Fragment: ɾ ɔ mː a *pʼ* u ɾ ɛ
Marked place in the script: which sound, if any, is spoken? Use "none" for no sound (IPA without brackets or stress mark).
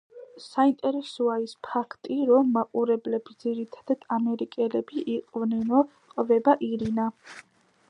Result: qʼ